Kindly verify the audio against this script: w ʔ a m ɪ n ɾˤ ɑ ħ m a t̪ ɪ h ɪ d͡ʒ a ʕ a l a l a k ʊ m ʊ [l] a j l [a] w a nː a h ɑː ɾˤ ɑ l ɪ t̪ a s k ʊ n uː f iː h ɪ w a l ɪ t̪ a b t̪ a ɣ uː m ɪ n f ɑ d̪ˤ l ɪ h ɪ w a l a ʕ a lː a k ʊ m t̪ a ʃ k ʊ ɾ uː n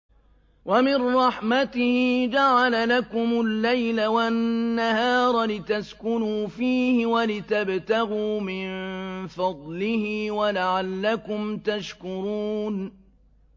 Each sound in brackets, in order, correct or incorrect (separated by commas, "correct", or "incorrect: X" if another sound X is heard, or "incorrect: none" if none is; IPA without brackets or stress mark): incorrect: lː, correct